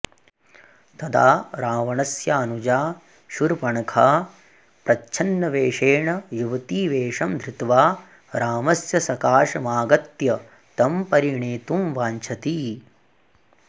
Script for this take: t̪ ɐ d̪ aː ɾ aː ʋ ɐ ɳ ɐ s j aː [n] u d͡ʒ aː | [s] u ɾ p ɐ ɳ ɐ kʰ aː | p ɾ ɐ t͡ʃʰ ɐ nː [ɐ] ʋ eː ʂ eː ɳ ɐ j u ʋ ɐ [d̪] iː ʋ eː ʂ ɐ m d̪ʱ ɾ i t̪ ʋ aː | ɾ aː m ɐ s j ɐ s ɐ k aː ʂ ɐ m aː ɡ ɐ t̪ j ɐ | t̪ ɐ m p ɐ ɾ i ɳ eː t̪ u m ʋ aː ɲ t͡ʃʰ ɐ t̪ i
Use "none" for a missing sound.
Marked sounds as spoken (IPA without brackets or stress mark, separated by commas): n, ʃ, ɐ, t̪